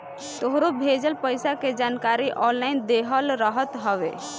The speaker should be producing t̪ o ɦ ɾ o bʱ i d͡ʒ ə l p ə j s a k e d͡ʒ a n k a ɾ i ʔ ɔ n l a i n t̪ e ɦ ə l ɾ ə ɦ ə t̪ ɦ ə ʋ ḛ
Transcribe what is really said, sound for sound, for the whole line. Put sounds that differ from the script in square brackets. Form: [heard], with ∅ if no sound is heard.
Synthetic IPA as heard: t̪ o ɦ ɾ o bʱ [e] d͡ʒ ə l p ə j s a k e d͡ʒ a n k a ɾ i ʔ ɔ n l a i n [d̪] e ɦ ə l ɾ ə ɦ ə t̪ ɦ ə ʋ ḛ